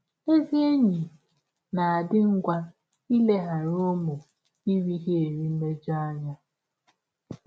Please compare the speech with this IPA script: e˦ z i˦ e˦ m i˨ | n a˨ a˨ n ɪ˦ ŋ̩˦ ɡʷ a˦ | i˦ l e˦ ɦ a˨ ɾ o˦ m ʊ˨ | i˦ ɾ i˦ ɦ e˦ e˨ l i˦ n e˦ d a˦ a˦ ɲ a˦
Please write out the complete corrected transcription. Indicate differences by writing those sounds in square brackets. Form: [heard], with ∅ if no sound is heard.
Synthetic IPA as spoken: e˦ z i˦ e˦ [ɲ] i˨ | n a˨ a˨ [d] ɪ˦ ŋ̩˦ ɡʷ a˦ | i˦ l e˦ ɦ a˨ ɾ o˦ m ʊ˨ | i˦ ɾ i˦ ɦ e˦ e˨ [ɾ] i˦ [m] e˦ [d͡ʒ] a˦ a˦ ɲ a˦